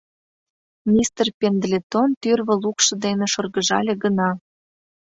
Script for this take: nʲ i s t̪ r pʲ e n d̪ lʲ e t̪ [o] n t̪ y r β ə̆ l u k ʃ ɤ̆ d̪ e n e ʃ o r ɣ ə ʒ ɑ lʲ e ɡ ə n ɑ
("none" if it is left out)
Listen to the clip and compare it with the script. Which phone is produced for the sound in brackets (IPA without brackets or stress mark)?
o